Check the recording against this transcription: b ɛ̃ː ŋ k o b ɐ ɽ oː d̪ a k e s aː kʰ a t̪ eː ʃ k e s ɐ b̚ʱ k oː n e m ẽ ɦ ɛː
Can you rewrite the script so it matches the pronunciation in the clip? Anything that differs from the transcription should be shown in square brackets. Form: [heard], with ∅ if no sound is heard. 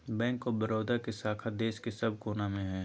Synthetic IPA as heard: b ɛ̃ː ŋ k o b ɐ [ɾ] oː d̪ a k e s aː kʰ a [d̪] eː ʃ k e s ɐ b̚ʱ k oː n [a] m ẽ ɦ ɛː